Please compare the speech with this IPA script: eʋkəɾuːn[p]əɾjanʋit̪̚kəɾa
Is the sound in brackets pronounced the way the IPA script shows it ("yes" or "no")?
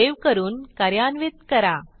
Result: no